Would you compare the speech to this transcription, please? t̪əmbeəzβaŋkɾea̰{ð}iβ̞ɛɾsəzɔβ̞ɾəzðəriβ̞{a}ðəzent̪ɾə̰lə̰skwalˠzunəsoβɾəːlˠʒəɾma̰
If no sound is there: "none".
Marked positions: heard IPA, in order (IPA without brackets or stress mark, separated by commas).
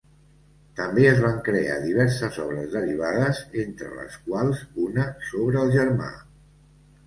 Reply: ð, a